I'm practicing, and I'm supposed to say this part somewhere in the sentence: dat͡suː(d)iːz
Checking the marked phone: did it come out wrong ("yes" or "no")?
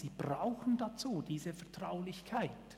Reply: no